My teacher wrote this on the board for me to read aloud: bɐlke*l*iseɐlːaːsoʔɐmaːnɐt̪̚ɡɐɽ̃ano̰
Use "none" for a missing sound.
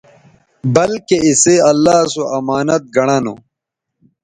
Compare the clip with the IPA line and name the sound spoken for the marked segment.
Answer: none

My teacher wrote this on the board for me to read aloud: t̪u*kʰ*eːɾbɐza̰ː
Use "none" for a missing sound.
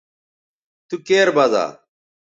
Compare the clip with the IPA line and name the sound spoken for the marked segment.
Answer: k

